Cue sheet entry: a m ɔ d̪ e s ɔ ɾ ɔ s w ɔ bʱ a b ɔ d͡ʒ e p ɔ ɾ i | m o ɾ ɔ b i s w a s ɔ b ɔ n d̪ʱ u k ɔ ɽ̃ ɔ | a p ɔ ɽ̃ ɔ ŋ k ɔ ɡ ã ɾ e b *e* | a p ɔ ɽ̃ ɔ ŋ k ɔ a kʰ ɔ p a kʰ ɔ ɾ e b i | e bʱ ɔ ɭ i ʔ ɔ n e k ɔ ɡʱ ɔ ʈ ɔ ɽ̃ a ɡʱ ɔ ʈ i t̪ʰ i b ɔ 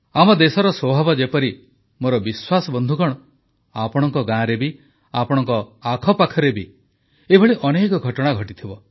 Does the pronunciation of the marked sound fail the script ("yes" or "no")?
yes